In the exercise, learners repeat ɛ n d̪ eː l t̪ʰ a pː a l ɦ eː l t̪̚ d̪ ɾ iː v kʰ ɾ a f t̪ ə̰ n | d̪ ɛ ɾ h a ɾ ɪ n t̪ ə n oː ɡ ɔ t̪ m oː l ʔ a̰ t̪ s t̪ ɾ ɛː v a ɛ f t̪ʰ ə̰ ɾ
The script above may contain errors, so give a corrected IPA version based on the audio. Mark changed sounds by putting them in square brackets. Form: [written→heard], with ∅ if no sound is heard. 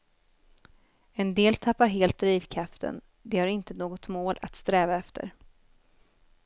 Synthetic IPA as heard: ɛ n d̪ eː l t̪ʰ a pː a [l→ɾ] ɦ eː l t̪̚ d̪ ɾ iː v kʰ ɾ a f t̪ ə̰ n | d̪ ɛ [ɾ→∅] h a ɾ ɪ n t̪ ə n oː ɡ ɔ t̪ m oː l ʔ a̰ t̪ s t̪ ɾ ɛː v a ɛ f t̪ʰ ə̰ ɾ